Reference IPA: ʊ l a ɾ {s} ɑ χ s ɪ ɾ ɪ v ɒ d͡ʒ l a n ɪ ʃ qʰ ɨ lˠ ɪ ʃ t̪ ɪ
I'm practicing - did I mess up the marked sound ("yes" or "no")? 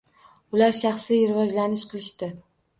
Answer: yes